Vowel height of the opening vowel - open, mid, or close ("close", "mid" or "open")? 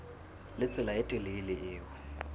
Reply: close